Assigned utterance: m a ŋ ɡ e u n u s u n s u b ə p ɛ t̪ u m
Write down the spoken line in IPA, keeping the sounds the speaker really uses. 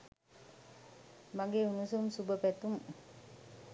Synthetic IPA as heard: m a ŋ ɡ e u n u s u m s u b ə p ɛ t̪ u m